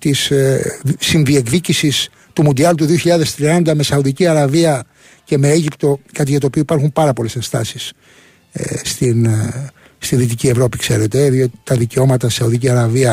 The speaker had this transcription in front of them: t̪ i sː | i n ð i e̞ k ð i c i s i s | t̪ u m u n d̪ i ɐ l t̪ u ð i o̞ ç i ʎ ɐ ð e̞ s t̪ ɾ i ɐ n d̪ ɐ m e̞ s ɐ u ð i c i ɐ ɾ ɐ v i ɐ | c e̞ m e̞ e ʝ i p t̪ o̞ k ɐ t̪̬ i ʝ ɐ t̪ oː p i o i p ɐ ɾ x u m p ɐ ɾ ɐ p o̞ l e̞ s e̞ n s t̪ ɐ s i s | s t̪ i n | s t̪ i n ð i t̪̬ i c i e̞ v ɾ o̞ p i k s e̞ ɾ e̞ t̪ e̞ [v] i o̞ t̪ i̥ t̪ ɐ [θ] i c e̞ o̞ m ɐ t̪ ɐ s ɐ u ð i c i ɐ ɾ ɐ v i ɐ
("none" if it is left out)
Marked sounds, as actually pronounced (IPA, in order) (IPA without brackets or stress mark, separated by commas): ð, ð